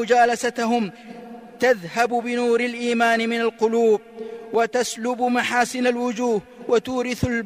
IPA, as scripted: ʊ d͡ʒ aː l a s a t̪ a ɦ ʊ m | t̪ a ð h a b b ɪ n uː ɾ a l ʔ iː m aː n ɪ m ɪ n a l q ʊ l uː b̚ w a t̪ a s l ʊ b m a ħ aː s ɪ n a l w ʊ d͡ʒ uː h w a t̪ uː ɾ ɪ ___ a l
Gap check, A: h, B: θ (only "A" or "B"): B